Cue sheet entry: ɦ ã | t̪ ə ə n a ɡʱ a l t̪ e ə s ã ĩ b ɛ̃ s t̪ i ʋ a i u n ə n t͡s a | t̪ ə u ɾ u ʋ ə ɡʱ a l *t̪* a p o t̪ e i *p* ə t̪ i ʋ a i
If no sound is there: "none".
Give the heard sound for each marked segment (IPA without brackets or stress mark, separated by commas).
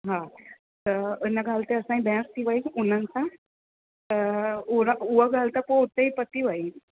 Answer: t̪, p